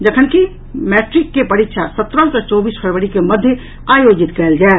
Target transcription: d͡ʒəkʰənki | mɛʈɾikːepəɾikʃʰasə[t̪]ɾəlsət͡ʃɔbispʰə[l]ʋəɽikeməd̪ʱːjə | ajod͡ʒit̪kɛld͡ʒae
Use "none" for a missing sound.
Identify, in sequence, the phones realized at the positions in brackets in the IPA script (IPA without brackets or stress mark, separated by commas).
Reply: t̪, ɾ